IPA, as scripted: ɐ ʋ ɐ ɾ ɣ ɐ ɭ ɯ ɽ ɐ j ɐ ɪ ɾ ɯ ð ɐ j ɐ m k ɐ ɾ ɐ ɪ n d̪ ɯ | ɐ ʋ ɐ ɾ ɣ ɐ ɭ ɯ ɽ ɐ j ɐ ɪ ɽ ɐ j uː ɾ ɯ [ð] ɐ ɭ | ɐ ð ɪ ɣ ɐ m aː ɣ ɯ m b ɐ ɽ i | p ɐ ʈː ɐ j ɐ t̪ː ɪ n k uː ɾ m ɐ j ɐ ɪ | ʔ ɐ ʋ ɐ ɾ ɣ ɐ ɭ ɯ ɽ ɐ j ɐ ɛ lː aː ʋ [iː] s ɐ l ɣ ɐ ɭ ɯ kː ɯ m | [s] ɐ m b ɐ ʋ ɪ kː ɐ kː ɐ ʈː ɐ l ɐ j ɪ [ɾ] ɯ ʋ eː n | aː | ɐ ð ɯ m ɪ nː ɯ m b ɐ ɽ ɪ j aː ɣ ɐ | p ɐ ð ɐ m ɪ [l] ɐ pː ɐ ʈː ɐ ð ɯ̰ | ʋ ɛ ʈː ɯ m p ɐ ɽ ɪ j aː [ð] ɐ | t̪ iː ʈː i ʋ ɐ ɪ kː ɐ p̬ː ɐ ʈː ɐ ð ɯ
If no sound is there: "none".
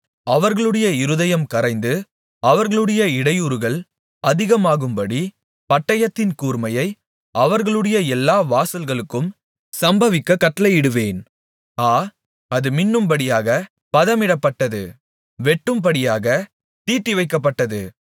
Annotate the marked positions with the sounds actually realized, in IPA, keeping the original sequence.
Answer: ɣ, aː, s, ɽ, ɽ, ɣ

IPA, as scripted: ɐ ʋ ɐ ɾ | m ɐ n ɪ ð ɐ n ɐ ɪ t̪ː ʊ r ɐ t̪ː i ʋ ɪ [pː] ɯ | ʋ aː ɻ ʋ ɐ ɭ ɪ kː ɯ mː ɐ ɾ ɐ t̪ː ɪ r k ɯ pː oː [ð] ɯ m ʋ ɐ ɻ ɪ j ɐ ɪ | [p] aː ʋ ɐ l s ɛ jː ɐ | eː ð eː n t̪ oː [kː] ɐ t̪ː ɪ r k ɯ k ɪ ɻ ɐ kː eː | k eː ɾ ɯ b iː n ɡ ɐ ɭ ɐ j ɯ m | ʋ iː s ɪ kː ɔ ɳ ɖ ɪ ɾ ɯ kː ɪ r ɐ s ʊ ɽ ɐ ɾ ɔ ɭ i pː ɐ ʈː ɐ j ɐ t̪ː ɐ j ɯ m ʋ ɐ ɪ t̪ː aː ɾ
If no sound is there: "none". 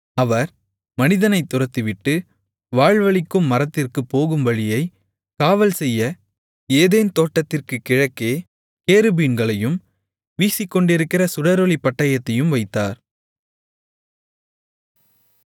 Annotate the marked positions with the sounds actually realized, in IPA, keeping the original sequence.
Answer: ʈː, ɣ, k, ʈː

